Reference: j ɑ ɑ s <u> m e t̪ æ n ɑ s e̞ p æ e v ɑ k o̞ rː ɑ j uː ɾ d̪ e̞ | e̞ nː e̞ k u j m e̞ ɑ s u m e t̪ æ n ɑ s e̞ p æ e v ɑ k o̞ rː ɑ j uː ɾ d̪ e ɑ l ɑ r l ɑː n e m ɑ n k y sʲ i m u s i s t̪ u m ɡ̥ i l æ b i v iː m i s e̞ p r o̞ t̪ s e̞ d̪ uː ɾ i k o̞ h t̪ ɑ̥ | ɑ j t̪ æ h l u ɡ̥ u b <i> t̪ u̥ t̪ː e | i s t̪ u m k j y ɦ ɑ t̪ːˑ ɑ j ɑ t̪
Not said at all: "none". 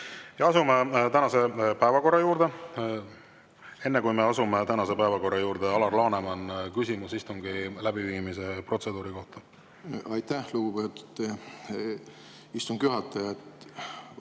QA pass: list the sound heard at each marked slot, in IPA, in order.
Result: u, e

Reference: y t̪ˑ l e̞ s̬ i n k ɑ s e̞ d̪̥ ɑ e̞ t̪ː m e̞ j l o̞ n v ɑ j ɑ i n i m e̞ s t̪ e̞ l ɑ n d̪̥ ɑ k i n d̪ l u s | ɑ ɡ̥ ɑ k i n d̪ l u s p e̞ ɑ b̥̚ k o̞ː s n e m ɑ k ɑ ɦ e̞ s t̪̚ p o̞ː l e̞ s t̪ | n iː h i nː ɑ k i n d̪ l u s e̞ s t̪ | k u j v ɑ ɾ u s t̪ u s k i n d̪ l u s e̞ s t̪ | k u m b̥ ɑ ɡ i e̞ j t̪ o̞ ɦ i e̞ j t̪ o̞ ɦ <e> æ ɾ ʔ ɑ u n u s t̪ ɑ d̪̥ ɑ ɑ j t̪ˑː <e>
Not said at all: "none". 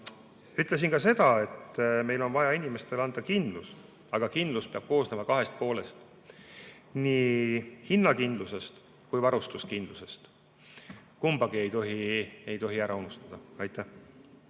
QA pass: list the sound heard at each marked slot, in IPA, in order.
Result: i, æ

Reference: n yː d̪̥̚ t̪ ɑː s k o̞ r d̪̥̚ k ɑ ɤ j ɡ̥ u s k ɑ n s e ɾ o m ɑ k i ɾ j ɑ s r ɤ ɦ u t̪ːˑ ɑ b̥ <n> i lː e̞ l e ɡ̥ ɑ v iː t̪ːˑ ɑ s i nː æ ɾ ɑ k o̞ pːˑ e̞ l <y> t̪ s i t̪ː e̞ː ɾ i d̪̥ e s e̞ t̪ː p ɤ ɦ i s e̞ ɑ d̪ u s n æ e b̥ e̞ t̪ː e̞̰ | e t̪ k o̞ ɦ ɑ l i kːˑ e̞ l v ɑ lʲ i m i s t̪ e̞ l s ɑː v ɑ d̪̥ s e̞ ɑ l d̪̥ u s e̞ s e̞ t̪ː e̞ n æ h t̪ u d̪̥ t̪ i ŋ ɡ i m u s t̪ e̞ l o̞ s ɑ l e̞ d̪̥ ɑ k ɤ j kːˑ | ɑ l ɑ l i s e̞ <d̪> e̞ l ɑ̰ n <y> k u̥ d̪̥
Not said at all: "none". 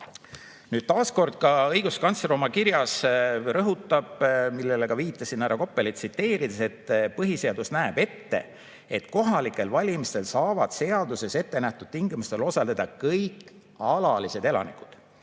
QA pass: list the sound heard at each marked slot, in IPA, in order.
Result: m, i, d̪, i

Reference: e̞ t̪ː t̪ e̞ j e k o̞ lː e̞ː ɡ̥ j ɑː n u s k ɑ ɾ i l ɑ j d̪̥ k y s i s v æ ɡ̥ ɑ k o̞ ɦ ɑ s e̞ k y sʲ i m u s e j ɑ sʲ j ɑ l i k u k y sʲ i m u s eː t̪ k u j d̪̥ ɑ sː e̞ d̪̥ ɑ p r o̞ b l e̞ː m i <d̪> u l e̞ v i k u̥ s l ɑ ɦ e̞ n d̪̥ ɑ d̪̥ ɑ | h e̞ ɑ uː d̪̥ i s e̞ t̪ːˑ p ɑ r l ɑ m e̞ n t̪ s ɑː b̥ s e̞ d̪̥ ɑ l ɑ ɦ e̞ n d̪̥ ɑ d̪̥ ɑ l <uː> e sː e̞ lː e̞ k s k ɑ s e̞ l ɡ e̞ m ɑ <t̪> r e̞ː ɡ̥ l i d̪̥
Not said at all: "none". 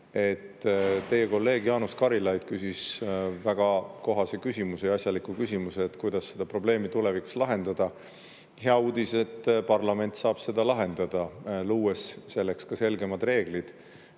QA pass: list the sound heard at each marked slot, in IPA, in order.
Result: t̪, uː, d̪

